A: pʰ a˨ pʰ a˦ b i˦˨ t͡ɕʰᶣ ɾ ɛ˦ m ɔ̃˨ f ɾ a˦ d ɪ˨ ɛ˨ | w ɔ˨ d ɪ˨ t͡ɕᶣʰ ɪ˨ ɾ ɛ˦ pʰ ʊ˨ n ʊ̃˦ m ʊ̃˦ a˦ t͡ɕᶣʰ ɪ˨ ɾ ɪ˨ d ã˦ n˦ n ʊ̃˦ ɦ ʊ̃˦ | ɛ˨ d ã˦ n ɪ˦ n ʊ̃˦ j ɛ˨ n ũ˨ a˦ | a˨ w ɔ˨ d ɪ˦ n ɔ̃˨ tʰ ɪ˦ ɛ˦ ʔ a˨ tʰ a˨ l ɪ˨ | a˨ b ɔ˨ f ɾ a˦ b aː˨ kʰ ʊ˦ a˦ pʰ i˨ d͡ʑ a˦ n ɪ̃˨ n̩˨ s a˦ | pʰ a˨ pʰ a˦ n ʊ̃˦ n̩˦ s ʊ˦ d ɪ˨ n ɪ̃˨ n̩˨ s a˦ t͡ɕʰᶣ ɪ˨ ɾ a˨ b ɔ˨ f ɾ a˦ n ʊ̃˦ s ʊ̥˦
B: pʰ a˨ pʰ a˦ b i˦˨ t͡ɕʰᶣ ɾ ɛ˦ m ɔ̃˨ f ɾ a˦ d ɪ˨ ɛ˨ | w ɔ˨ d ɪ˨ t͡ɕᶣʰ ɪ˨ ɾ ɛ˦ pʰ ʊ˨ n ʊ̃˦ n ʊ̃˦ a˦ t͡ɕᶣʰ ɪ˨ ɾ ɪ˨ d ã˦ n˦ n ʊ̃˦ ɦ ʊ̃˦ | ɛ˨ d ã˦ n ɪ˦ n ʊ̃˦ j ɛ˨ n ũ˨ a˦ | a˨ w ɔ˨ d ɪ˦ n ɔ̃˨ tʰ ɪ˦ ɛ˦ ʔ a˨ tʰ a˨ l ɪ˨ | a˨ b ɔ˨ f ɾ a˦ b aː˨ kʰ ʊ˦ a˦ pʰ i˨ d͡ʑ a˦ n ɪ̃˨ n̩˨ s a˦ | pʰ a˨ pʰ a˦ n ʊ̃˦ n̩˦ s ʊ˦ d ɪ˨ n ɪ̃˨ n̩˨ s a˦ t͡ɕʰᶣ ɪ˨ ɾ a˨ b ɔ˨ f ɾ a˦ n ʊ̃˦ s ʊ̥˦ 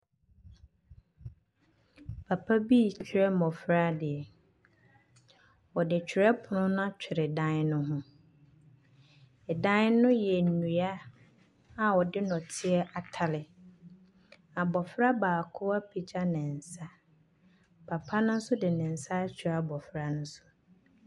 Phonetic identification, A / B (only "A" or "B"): B